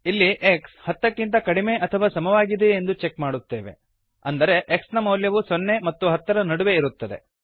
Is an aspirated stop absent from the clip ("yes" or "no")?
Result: no